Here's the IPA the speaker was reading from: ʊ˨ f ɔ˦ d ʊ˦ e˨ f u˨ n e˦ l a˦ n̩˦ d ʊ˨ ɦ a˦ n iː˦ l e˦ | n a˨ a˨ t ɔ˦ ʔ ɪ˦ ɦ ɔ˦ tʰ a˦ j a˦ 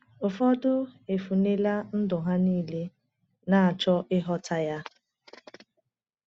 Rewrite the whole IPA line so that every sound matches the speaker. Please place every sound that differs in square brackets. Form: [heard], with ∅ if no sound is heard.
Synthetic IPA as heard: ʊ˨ f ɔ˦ d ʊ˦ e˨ f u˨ n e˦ l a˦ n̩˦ d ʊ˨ ɦ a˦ n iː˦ l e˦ | n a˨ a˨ [t͡ʃ] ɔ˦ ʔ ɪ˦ ɦ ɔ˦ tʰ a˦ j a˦

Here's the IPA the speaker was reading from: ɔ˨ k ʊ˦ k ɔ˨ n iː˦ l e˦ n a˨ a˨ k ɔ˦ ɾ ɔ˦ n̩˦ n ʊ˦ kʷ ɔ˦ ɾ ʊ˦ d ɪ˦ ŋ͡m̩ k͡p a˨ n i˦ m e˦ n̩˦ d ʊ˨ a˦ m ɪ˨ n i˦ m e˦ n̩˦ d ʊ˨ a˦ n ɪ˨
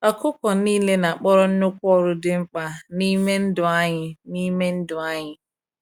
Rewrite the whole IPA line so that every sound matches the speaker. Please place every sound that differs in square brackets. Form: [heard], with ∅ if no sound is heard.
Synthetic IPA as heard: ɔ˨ k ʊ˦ k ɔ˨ n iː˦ l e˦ n a˨ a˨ [k͡p] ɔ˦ ɾ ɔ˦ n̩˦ n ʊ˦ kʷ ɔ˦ ɾ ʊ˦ d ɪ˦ ŋ͡m̩ k͡p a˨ n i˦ m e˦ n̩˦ d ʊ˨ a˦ [ɲ] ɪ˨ n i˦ m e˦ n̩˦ d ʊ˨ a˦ [ɲ] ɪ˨

